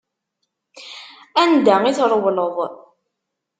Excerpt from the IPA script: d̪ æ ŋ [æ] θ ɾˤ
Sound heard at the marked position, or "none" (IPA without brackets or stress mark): i